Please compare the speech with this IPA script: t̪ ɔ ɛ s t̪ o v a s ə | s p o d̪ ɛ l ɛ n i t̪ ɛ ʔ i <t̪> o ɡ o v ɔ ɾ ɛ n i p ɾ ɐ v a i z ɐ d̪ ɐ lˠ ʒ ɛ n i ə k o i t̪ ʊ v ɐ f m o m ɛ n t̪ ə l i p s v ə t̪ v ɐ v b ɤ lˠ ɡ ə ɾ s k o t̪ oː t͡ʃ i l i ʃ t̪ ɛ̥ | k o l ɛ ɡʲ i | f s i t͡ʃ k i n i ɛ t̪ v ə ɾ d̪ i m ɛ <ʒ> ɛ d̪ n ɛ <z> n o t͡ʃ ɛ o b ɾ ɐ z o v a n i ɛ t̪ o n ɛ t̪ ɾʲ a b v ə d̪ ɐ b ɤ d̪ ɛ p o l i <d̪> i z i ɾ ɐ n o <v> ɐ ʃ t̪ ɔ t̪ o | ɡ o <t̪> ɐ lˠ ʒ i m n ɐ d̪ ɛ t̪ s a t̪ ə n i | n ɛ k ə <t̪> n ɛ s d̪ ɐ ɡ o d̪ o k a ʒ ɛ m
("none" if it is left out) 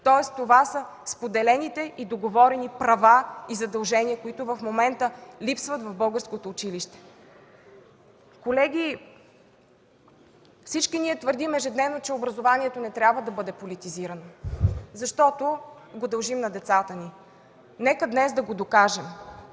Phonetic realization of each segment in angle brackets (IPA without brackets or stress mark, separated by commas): d̪, ʒ, v, t̪, z, d̪, d̪